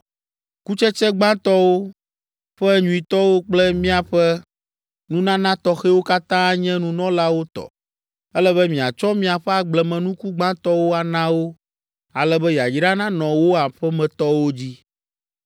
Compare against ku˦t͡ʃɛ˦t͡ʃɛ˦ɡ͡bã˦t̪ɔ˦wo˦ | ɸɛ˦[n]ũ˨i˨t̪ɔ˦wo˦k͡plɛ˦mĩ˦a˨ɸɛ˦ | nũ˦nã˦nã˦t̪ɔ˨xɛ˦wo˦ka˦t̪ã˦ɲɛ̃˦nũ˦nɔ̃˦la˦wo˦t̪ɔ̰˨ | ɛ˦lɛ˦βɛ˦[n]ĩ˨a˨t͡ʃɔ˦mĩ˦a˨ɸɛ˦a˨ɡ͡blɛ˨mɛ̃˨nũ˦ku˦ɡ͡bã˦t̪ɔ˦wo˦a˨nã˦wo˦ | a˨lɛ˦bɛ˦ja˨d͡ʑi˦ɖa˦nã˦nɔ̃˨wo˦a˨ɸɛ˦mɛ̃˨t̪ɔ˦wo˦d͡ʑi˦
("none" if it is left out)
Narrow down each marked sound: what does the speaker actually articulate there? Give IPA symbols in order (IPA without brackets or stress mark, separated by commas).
ɲ, m